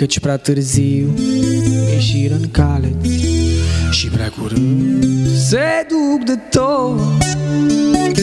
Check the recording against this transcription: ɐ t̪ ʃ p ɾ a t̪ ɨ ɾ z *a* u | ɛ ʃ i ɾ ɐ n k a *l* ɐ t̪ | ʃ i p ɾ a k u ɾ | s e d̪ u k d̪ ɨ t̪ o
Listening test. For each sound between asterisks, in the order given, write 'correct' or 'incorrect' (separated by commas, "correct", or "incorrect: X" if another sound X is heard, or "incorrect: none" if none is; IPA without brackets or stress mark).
incorrect: i, correct